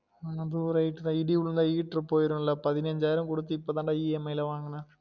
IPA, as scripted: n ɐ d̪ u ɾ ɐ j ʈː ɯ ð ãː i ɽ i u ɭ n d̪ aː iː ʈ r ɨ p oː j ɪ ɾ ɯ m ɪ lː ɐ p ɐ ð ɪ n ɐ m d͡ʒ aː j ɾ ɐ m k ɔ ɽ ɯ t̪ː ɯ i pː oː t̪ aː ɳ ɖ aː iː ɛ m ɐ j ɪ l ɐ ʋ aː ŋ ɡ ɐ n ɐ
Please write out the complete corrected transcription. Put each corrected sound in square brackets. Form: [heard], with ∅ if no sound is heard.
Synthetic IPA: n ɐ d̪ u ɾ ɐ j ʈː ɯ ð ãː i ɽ i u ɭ n d̪ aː iː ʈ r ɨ p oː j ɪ ɾ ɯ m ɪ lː ɐ p ɐ ð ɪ n ɐ [ɲ] d͡ʒ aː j ɾ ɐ m k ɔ ɽ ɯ t̪ː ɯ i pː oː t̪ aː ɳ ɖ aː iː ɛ m ɐ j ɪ l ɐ ʋ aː ŋ ɡ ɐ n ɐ